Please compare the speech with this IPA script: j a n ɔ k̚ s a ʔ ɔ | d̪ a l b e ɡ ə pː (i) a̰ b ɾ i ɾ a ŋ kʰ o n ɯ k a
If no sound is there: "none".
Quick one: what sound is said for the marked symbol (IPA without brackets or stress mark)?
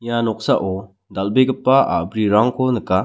a